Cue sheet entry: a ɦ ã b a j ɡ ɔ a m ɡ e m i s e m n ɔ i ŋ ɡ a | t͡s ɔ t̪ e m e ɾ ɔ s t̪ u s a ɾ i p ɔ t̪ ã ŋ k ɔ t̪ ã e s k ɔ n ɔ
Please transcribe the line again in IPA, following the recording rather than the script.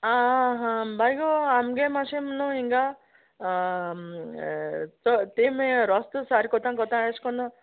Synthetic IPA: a ɦ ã b a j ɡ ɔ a m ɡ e m a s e m n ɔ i ŋ ɡ a | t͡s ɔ t̪ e m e ɾ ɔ s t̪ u s a ɾ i k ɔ t̪ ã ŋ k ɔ t̪ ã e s k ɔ n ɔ